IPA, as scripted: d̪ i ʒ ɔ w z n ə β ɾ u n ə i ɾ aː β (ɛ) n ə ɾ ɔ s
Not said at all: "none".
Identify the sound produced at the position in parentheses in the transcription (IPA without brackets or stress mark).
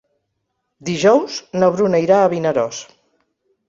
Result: i